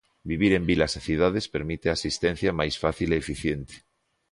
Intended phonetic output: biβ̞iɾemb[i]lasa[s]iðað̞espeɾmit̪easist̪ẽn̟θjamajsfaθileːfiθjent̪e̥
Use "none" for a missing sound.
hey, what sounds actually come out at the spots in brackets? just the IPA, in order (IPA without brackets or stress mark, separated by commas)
i, θ